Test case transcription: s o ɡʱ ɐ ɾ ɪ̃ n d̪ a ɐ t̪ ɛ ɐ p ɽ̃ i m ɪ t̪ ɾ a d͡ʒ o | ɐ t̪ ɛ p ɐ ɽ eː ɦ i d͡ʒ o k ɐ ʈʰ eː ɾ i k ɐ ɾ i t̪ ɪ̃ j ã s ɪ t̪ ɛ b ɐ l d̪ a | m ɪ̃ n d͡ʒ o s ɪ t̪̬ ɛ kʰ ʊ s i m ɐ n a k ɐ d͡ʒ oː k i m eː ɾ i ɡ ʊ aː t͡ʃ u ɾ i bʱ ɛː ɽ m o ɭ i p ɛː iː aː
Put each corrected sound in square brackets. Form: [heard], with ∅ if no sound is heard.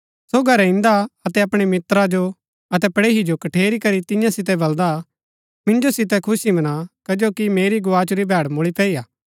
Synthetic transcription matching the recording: s o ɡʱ ɐ ɾ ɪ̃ n d̪ a ɐ t̪ ɛ ɐ p ɽ̃ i m ɪ t̪ ɾ a d͡ʒ o | ɐ t̪ ɛ p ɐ ɽ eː ɦ i d͡ʒ o k ɐ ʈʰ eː ɾ i k ɐ ɾ i t̪ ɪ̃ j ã s ɪ t̪ ɛ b ɐ l d̪ a | m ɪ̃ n d͡ʒ o s ɪ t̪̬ ɛ kʰ ʊ s i m ɐ n a k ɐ d͡ʒ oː k i m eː ɾ i ɡ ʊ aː t͡ʃ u ɾ i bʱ ɛː ɽ m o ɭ i p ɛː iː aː